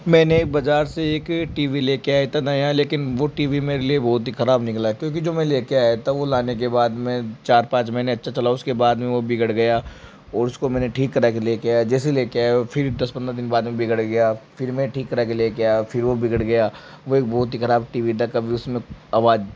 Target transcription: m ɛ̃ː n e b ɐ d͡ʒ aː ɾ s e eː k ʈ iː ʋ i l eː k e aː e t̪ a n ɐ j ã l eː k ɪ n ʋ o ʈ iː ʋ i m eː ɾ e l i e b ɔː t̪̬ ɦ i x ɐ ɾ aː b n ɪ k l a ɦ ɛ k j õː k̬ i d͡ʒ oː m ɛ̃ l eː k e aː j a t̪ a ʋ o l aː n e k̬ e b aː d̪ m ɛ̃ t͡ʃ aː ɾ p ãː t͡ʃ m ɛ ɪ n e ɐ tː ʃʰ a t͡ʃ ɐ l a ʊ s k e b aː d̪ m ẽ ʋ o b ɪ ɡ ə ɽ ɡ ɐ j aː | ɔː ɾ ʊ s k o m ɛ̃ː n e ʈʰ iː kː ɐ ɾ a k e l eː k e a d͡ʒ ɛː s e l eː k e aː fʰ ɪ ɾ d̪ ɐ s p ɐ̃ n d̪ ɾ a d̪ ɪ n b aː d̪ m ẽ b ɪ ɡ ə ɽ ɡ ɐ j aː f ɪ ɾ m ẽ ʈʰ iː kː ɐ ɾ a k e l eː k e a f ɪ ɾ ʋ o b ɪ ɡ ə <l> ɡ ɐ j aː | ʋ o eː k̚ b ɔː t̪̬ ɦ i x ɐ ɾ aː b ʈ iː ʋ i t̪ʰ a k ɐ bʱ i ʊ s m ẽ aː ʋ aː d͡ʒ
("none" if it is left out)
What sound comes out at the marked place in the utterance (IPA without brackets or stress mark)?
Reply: ɽ